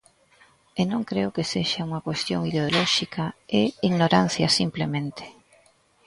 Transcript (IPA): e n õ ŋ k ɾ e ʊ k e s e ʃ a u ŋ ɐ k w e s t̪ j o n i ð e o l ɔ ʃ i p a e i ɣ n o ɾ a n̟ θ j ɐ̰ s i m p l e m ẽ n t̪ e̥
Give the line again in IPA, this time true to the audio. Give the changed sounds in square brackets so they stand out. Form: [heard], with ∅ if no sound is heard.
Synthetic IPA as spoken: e n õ ŋ k ɾ e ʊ k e s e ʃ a u ŋ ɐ k w e s t̪ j o [ŋ] i ð e o l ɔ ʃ i [k] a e i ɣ n o ɾ a n̟ θ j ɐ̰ s i m p l e m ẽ n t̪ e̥